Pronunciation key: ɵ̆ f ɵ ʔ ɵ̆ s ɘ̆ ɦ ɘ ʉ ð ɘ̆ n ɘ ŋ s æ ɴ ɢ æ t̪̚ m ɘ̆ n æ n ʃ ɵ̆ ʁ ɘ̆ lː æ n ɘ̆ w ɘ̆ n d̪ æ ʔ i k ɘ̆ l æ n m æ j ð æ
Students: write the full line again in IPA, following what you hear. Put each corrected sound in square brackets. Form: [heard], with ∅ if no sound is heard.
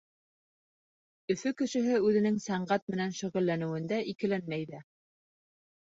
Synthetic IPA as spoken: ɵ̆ f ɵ [k] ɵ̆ [ʃ] ɘ̆ ɦ ɘ ʉ ð ɘ̆ n ɘ ŋ s æ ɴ ɢ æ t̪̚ m ɘ̆ n æ n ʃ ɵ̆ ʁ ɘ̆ lː æ n ɘ̆ w ɘ̆ n d̪ æ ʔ i k ɘ̆ l æ n m æ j ð æ